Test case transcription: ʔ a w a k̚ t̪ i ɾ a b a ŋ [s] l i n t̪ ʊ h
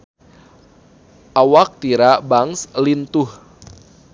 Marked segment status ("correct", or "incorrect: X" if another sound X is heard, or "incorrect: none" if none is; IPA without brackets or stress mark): correct